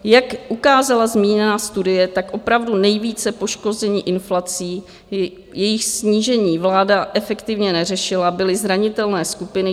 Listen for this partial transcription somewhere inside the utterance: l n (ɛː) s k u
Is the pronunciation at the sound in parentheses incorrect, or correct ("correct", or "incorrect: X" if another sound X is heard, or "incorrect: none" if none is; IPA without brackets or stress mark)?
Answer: correct